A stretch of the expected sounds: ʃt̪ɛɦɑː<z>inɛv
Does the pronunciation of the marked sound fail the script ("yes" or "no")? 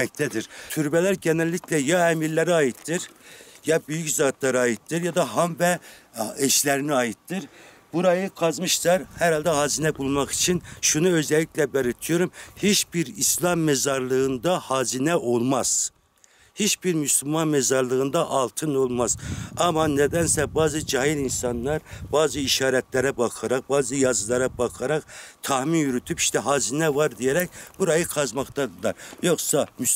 no